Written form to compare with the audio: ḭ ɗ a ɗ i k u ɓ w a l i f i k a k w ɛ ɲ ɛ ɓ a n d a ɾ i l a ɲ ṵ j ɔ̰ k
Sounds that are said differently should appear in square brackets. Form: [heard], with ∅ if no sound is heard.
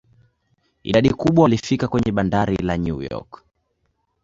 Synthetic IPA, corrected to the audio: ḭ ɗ a ɗ i k u ɓ w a l i f i k a k w ɛ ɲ ɛ ɓ a n d a ɾ i l a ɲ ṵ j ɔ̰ k